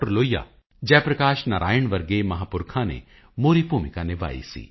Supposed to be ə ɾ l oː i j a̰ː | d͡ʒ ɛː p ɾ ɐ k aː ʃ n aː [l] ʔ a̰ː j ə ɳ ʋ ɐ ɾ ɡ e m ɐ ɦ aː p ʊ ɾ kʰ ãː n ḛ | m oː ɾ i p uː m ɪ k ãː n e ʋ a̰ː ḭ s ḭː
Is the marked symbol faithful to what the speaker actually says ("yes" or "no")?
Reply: no